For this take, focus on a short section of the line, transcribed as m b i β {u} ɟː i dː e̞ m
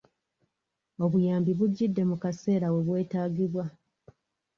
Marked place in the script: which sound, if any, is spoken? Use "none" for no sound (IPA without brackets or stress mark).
u